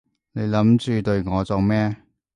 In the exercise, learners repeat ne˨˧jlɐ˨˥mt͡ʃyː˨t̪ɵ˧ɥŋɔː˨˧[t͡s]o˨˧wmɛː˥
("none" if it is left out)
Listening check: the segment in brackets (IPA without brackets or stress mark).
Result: t͡s